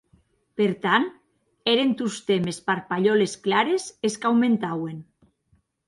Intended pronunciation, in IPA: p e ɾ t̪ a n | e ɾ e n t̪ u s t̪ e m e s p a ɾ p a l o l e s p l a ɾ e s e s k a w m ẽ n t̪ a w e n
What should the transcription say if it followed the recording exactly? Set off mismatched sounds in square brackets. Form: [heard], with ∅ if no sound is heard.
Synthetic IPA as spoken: p e ɾ t̪ a n | e ɾ e n t̪ u s t̪ e m e s p a ɾ p a [ʎ] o l e s [k] l a ɾ e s e s k a w m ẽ n t̪ a w e n

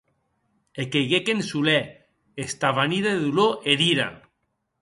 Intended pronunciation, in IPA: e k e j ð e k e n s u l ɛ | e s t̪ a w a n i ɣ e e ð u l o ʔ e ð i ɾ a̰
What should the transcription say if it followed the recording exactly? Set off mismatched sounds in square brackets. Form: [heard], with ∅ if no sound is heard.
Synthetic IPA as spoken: e k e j [ɣ] e k e n s u l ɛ | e s t̪ a [β] a n i [ð] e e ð u l o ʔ e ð i ɾ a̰

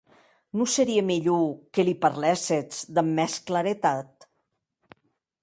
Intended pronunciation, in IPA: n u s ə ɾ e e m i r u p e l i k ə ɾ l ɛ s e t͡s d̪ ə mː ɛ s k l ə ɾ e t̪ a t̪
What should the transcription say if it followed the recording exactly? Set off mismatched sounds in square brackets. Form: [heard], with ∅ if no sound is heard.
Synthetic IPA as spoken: n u s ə ɾ [i] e m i [ʎ] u [k] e l i [p] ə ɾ l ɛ s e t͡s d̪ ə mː ɛ s k l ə ɾ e t̪ a t̪

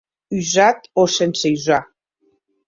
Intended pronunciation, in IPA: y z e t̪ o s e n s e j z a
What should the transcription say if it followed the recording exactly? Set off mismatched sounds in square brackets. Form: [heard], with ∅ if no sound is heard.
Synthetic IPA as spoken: y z [a] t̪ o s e n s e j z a

